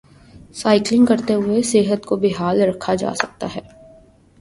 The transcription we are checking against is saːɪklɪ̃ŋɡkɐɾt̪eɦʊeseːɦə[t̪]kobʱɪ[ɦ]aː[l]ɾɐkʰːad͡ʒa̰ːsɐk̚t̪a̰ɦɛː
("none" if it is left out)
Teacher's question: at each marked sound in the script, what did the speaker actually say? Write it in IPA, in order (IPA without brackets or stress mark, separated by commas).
t̪, ɦ, l